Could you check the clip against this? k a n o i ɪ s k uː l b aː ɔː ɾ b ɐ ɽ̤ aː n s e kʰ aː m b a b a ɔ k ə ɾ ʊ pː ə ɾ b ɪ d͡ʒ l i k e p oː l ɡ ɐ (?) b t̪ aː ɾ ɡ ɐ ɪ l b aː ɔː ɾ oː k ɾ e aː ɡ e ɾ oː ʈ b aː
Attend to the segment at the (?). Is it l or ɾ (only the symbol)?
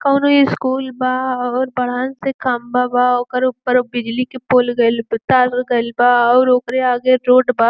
l